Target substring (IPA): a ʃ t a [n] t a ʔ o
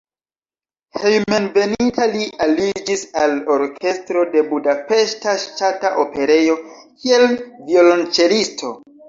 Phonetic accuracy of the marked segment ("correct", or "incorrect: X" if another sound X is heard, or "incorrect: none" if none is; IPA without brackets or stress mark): incorrect: none